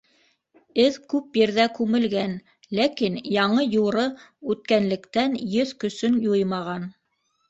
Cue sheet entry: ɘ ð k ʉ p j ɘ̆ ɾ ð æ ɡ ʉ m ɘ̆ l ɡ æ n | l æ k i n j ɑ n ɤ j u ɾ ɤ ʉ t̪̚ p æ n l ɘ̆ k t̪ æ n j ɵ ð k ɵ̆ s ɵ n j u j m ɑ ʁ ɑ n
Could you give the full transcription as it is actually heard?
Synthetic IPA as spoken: ɘ ð k ʉ p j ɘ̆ ɾ ð æ k ʉ m ɘ̆ l ɡ æ n | l æ k i n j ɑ ɴ ɤ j u ɾ ɤ ʉ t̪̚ k æ n l ɘ̆ k t̪ æ n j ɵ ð k ɵ̆ s ɵ n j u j m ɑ ʁ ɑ n